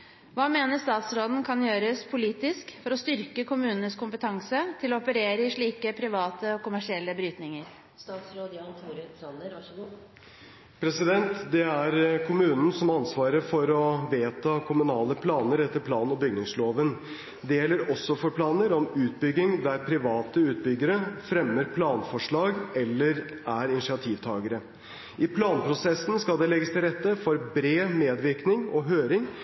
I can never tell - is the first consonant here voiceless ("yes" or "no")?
no